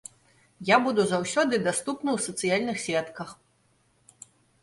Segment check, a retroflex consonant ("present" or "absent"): absent